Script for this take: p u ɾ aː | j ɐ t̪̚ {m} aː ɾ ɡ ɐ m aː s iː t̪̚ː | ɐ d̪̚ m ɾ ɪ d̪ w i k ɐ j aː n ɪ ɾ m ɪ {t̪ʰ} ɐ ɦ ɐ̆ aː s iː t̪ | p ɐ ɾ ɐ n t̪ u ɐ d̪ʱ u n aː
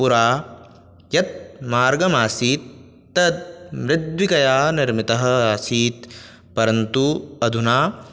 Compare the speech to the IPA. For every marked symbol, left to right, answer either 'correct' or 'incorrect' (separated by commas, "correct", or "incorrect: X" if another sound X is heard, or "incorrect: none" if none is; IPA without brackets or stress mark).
correct, incorrect: t̪